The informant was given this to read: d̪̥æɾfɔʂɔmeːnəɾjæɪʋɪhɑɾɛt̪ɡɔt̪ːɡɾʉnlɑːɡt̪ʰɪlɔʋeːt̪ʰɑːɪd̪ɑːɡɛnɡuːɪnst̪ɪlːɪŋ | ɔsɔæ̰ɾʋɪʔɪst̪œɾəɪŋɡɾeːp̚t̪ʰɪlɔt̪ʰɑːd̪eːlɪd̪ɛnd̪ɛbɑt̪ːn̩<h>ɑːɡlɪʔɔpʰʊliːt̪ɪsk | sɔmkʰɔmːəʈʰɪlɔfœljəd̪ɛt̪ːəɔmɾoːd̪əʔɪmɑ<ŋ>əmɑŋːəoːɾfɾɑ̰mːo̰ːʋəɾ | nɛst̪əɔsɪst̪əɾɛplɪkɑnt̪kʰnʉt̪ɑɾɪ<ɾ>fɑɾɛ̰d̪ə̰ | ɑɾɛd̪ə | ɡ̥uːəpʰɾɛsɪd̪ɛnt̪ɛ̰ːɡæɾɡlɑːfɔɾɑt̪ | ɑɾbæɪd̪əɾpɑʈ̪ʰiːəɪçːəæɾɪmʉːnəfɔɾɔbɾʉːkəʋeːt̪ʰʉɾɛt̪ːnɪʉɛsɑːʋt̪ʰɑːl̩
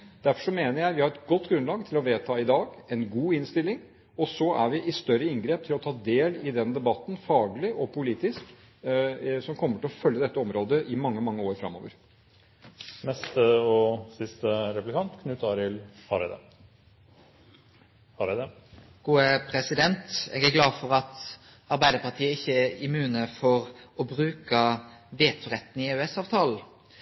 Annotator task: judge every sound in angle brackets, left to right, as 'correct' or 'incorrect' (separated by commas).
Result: incorrect, incorrect, incorrect